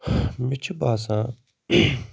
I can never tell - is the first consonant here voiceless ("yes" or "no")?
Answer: no